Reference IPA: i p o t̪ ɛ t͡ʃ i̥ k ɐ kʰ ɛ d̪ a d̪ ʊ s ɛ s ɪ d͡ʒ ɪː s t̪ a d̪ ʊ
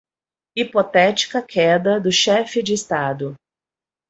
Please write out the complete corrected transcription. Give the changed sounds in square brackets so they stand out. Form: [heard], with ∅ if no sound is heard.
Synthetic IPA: i p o t̪ ɛ t͡ʃ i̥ k ɐ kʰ ɛ d̪ [ɐ] d̪ ʊ [ʃ] ɛ [f] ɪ d͡ʒ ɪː s t̪ a d̪ ʊ